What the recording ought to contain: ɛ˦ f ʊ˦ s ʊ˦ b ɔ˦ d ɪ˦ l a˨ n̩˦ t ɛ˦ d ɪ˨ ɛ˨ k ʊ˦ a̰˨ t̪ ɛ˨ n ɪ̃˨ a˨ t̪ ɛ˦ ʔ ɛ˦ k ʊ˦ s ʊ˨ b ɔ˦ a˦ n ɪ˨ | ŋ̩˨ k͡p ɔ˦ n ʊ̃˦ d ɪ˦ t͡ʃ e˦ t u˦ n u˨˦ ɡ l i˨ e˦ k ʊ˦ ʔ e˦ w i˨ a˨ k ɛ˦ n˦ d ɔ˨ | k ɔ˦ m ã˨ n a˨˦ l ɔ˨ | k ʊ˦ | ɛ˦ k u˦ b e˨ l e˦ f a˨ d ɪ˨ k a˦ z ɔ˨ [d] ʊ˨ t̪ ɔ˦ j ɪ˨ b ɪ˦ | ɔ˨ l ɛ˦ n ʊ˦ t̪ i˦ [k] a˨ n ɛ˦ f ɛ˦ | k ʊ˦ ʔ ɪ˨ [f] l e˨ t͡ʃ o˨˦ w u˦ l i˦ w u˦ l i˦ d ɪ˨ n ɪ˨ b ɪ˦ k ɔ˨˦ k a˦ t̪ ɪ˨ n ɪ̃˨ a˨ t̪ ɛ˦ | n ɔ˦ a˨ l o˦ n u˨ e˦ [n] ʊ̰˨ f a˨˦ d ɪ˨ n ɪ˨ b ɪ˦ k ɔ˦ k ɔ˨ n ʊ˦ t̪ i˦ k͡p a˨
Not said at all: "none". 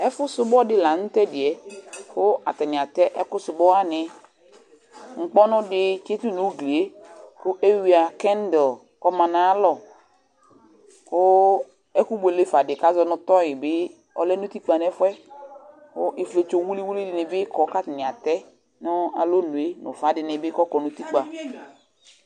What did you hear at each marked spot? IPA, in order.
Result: n, k͡p, f, n

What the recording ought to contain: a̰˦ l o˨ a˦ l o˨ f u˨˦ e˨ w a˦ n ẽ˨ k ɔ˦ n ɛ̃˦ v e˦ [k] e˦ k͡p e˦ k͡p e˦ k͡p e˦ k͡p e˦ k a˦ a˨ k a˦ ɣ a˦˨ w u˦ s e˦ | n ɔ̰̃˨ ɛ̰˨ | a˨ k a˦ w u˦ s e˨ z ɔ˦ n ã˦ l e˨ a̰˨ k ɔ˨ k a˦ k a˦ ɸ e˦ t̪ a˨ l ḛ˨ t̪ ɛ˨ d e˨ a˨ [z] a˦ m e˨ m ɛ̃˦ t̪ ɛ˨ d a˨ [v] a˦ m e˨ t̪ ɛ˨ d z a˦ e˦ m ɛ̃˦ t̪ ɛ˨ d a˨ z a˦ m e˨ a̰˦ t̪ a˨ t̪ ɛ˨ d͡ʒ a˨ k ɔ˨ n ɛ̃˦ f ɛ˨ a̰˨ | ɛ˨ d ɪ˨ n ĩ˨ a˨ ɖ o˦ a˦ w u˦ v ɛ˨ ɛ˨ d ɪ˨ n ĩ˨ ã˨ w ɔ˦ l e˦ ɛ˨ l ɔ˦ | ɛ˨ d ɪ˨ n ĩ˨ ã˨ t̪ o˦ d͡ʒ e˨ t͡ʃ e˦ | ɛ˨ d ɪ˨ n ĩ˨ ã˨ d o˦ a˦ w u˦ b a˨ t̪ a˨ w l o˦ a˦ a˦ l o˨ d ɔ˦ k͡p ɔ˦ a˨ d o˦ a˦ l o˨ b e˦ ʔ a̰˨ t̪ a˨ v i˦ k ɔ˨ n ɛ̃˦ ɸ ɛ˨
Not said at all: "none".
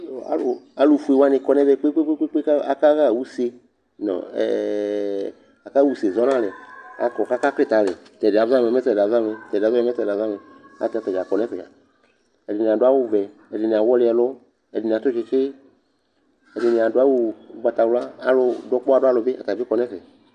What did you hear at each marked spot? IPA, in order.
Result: k͡p, z, z

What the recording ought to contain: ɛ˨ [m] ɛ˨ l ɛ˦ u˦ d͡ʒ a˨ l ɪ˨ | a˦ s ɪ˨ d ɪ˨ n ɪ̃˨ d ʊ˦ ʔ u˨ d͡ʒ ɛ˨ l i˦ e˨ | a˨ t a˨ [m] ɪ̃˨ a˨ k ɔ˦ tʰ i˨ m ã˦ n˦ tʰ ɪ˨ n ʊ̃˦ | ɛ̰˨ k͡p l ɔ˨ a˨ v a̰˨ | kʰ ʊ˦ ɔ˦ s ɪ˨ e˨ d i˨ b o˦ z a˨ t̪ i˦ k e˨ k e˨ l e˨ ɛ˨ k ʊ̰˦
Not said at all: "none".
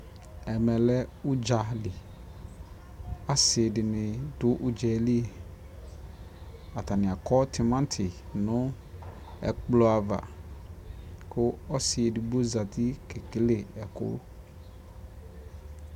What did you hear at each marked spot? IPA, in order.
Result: m, n

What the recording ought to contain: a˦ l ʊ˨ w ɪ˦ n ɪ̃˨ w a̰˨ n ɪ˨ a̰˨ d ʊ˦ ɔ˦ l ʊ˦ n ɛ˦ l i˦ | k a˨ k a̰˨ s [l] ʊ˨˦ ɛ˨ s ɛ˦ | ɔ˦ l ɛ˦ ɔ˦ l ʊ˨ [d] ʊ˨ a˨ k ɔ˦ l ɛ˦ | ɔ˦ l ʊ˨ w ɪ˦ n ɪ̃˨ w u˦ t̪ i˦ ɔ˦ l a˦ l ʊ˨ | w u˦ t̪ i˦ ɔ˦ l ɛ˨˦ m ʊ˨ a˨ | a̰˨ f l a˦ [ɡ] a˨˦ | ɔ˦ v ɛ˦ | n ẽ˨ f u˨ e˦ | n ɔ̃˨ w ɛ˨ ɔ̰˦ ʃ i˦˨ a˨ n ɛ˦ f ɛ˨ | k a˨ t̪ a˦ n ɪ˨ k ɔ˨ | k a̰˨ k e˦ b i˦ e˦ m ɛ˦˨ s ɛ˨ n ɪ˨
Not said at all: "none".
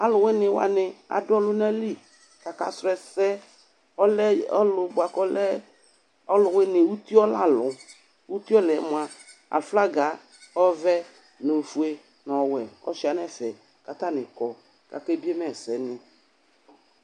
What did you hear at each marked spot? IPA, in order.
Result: ɾ, b, ɡ

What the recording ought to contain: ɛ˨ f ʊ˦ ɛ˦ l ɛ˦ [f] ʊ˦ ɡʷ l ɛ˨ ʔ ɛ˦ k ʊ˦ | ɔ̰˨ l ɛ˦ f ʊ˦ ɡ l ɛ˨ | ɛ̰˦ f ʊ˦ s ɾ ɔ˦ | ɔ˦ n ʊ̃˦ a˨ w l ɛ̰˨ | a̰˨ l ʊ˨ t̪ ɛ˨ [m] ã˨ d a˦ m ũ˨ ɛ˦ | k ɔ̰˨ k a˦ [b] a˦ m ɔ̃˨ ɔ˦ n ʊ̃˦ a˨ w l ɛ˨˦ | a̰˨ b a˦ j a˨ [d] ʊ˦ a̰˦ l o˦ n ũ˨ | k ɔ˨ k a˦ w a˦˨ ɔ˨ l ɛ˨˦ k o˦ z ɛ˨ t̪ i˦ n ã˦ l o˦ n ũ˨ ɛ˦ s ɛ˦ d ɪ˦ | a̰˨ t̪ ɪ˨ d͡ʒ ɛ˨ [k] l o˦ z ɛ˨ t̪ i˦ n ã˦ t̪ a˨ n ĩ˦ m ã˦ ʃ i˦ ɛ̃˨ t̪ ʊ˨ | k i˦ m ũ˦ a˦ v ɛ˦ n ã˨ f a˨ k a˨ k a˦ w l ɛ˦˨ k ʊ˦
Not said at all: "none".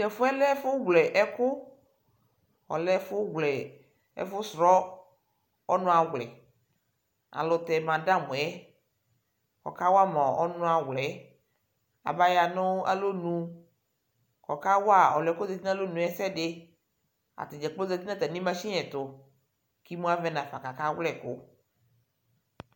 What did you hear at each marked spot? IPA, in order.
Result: f, m, w, n, k͡p

